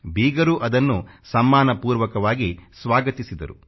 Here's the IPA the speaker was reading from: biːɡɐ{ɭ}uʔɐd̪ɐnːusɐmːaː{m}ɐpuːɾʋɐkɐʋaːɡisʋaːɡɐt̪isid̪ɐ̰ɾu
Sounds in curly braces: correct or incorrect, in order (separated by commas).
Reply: incorrect, incorrect